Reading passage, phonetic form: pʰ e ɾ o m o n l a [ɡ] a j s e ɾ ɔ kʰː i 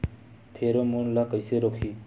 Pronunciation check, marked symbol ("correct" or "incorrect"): incorrect